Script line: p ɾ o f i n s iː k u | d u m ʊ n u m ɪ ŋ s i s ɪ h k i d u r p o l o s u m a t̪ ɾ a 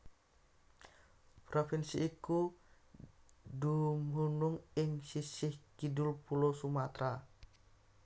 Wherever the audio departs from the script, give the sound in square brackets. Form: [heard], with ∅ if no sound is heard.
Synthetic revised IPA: p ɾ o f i n s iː k u | d u m [u] n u [ŋ] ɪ ŋ s i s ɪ h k i d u [l] p [u] l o s u m a t̪ ɾ a